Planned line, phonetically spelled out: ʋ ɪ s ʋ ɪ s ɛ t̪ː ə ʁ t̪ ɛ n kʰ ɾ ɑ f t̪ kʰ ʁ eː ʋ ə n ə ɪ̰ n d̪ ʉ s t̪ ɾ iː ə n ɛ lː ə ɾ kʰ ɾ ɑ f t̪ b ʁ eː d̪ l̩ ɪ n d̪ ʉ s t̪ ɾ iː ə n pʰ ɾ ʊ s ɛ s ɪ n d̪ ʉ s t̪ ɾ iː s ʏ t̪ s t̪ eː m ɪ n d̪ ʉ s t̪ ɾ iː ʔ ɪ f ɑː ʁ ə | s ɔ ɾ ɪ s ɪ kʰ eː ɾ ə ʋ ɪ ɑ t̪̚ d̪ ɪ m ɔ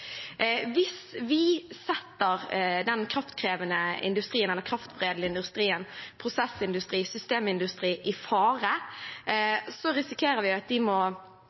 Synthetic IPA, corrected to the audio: ʋ ɪ s ʋ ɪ s ɛ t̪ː ə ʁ d̪ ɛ n kʰ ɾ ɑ f t̪ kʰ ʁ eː ʋ ə n ə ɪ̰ n d̪ ʉ s t̪ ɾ iː ə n ɛ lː ə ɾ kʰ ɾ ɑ f t̪ b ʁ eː d̪ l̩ ɪ n d̪ ʉ s t̪ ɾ iː ə n pʰ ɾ ʊ s ɛ s ɪ n d̪ ʉ s t̪ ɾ iː s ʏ s t̪ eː m ɪ n d̪ ʉ s t̪ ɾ iː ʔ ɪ f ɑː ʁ ə | s ɔ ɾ ɪ s ɪ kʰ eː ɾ ə ʋ ɪ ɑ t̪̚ d̪ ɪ m ɔ